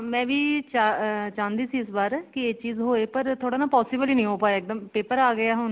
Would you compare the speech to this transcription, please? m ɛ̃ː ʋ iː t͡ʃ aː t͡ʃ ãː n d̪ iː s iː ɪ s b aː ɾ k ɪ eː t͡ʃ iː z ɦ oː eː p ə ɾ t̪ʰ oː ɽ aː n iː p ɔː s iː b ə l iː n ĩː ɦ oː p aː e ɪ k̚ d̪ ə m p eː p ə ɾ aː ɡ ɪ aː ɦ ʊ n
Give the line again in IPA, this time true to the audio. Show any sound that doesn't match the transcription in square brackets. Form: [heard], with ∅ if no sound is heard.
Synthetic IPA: m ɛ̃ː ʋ iː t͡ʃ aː t͡ʃ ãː n d̪ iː s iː ɪ s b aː ɾ k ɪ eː t͡ʃ iː z ɦ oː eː p ə ɾ t̪ʰ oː ɽ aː n [aː] p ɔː s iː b ə l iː n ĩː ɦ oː p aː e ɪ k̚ d̪ ə m p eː p ə ɾ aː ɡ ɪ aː ɦ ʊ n